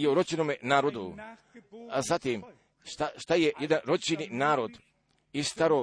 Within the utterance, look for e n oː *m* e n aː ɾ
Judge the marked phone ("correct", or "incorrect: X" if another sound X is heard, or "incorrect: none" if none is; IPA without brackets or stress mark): correct